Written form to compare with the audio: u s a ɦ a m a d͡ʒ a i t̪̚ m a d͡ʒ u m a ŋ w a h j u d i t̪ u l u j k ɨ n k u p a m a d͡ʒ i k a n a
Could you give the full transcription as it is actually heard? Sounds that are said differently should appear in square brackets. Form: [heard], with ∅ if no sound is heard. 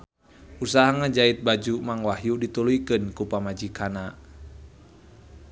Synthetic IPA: u s a ɦ a [ŋ] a d͡ʒ a i t̪̚ [b] a d͡ʒ u m a ŋ w a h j u d i t̪ u l u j k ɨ n k u p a m a d͡ʒ i k a n a